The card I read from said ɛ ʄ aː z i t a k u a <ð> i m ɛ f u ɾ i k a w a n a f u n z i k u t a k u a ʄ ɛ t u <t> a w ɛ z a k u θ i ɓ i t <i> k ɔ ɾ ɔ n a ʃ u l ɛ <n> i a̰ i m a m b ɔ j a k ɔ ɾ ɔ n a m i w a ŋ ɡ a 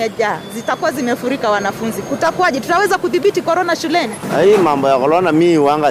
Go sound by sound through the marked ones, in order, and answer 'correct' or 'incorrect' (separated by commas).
incorrect, correct, correct, correct